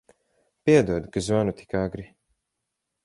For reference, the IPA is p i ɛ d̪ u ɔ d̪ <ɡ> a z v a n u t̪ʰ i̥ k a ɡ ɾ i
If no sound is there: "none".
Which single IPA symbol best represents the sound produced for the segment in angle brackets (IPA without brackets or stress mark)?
k